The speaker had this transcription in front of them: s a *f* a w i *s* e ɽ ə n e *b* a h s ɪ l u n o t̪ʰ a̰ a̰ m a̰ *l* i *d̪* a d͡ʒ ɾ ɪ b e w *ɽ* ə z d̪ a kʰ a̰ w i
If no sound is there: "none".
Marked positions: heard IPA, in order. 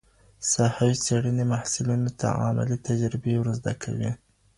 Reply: h, s, m, l, t̪, ɾ

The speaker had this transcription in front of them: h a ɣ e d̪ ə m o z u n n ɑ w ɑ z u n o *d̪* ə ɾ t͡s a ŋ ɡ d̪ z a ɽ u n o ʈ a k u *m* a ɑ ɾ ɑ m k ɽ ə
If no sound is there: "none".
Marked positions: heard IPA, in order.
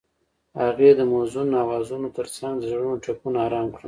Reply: t̪, n

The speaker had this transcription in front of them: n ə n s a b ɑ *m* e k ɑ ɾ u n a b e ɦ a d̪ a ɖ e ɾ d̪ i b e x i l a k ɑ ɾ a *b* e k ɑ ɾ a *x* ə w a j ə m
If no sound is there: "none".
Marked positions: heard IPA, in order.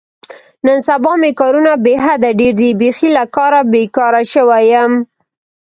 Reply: m, b, ʃ

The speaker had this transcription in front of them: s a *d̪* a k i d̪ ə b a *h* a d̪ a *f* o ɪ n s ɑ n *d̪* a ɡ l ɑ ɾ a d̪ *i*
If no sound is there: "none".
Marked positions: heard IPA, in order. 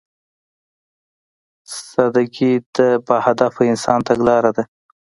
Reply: d̪, h, f, t̪, a

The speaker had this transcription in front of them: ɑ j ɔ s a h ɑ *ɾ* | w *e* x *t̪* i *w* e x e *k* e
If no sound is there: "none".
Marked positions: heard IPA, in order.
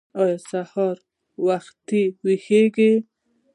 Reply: ɾ, a, t̪, w, ɡ

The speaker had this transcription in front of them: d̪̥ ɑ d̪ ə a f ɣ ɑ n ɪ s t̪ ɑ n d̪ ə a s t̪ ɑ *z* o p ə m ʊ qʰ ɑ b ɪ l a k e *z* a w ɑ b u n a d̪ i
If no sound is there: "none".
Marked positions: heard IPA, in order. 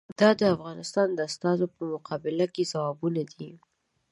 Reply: z, z

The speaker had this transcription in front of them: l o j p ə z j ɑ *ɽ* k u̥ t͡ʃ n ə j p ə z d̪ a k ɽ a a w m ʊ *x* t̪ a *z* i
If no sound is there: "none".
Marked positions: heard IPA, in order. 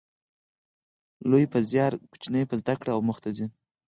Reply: ɾ, x, z

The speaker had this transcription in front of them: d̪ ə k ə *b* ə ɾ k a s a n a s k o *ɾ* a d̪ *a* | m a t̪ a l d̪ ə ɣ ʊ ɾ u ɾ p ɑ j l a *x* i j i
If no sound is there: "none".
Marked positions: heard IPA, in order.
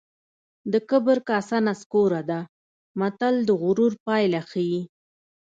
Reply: b, ɾ, a, x

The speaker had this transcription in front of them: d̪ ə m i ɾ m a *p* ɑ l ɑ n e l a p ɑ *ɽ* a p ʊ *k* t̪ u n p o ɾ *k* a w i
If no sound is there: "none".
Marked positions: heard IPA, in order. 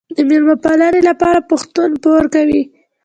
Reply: p, ɾ, x, k

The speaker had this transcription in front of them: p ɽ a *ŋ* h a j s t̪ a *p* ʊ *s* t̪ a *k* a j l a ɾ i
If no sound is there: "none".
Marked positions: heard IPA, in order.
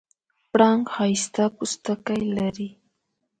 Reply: ŋ, p, s, k

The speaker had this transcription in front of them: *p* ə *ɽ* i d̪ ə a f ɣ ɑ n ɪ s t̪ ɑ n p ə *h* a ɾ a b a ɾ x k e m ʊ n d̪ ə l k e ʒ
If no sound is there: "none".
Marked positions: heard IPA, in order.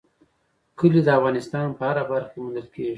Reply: k, l, h

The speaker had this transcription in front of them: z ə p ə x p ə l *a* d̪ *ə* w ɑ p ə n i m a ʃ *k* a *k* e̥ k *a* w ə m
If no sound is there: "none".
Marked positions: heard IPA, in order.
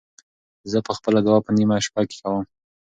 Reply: a, a, p, k, a

